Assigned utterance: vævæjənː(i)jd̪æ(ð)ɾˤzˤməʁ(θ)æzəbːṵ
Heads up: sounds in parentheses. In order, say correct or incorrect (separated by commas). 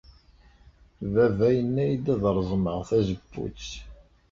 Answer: incorrect, correct, correct